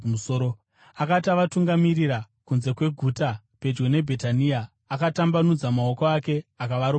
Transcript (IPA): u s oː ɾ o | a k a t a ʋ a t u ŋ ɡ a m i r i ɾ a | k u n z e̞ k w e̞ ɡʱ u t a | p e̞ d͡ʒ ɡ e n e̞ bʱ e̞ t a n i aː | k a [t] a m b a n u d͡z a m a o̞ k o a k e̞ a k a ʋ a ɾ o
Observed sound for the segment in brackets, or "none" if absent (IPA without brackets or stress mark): t